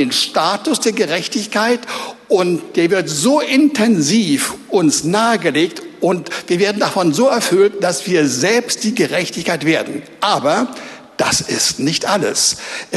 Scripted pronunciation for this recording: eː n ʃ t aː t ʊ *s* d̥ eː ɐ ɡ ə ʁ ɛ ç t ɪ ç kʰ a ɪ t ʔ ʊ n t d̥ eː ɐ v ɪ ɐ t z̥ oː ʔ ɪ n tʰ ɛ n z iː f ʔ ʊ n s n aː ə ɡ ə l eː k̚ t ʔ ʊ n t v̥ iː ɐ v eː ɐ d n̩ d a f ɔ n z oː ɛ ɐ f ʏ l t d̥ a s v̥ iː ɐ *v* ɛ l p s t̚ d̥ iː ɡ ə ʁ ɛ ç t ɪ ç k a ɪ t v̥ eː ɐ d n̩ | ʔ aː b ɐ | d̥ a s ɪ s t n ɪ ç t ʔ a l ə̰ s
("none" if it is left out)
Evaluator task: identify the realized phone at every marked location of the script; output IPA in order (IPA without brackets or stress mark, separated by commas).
s, z